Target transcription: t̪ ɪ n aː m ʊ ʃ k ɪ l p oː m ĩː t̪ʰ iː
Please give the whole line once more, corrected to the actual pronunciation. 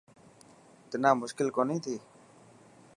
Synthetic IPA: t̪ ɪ n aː m ʊ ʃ k ɪ l k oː n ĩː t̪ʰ iː